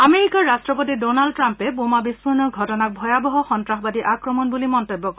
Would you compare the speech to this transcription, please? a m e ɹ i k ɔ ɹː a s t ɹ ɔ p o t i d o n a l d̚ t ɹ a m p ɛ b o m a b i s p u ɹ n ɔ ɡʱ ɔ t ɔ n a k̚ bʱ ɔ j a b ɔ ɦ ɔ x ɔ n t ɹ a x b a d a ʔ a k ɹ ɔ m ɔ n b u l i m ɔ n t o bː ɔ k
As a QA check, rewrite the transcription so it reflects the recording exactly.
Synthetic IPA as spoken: a m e ɹ i k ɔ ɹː a s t ɹ ɔ p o t i d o n a l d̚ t ɹ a m p ɛ b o m a b i s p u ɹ n ɔ ɡʱ ɔ t ɔ n a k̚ bʱ ɔ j a b ɔ ɦ ɔ x ɔ n t ɹ a x b a d i ʔ a k ɹ ɔ m ɔ n b u l i m ɔ n t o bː ɔ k